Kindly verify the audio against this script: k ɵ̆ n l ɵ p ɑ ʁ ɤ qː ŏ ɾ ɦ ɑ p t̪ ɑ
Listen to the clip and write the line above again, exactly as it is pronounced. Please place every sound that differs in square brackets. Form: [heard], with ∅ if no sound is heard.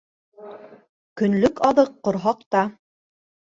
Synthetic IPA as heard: k ɵ̆ n l ɵ [k] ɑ [ð] ɤ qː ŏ ɾ ɦ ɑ [q] t̪ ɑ

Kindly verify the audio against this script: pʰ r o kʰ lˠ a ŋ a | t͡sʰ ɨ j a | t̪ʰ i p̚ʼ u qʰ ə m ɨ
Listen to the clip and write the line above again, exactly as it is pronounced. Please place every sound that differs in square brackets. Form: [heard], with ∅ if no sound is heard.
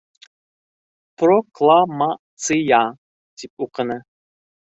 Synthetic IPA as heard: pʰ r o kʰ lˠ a [m] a | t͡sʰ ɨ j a | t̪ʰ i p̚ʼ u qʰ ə [n] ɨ

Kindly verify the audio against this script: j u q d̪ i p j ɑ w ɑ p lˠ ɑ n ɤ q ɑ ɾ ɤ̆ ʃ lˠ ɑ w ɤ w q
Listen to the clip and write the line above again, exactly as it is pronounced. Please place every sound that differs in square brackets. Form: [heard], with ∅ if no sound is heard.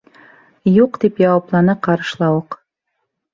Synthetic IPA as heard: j u q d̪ i p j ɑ w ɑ p lˠ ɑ n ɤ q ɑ ɾ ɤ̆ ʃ lˠ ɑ w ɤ [∅] q

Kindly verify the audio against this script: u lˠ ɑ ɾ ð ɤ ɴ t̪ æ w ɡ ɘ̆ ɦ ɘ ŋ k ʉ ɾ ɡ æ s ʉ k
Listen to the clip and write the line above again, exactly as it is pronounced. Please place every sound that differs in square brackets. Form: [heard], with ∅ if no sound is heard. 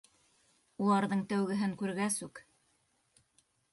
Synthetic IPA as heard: u lˠ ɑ ɾ ð ɤ ɴ t̪ æ w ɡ ɘ̆ ɦ ɘ ŋ k ʉ ɾ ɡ æ s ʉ k

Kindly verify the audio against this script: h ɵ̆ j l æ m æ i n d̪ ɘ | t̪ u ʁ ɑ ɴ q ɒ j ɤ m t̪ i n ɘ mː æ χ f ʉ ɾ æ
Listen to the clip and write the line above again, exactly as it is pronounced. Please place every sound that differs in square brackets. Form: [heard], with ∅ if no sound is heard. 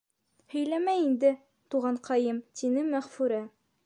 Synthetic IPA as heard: h ɵ̆ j l æ m æ i n d̪ ɘ | t̪ u ʁ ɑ ɴ q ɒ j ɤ m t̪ i n ɘ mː æ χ f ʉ ɾ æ

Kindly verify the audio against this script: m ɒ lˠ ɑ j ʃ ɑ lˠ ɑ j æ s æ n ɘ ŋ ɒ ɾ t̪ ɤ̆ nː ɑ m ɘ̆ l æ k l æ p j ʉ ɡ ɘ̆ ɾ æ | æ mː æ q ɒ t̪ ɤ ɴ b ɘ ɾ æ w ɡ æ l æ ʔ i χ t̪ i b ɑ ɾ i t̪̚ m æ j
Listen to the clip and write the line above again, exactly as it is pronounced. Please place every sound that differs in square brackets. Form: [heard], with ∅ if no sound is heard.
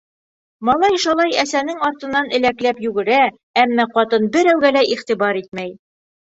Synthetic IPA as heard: m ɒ lˠ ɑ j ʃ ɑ lˠ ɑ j æ s æ n ɘ ŋ ɒ ɾ t̪ ɤ̆ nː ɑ [n] ɘ̆ l æ k l æ p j ʉ ɡ ɘ̆ ɾ æ | æ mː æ q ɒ t̪ ɤ [n] b ɘ ɾ æ w ɡ æ l æ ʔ i χ t̪ i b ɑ ɾ i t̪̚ m æ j

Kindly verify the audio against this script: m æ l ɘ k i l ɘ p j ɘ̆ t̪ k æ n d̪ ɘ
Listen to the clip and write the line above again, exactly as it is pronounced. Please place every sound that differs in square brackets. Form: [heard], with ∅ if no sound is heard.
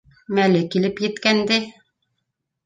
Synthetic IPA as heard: m æ l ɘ k i l ɘ p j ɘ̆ t̪ k æ n d̪ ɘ

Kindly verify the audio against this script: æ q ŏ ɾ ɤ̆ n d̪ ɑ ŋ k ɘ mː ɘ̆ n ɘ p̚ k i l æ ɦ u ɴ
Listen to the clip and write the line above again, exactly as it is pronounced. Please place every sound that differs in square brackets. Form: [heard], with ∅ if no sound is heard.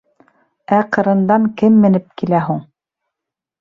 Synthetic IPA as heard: æ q [ɤ̆] ɾ ɤ̆ n d̪ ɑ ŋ k ɘ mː ɘ̆ n ɘ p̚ k i l æ ɦ u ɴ

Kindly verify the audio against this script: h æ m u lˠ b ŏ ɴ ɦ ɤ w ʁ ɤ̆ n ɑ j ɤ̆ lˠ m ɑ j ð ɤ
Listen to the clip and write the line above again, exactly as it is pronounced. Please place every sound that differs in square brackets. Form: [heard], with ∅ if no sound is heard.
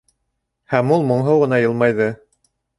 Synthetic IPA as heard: h æ m u lˠ [m] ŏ ɴ ɦ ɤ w ʁ ɤ̆ n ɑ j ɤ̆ lˠ m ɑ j ð ɤ

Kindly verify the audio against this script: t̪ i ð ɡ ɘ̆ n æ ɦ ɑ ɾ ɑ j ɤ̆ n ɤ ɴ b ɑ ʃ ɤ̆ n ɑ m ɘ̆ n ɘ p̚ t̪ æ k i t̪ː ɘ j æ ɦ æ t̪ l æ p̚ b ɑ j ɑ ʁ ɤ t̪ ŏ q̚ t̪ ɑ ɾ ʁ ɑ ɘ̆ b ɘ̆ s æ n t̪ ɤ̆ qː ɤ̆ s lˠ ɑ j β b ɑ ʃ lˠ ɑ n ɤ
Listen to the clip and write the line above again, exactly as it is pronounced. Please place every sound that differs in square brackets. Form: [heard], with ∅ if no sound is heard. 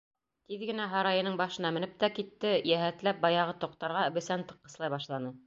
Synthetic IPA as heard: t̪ i ð ɡ ɘ̆ n æ ɦ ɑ ɾ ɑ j ɤ̆ n ɤ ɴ b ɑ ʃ ɤ̆ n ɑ m ɘ̆ n ɘ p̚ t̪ æ k i t̪ː ɘ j æ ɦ æ t̪ l æ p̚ b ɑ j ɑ ʁ ɤ t̪ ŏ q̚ t̪ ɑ ɾ ʁ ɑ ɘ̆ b ɘ̆ s æ n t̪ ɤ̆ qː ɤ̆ s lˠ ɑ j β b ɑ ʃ lˠ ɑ n ɤ

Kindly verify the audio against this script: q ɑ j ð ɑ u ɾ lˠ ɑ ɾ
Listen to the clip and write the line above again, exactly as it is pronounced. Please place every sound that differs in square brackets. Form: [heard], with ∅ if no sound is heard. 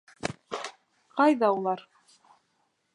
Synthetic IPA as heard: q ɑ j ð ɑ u [∅] lˠ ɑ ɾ

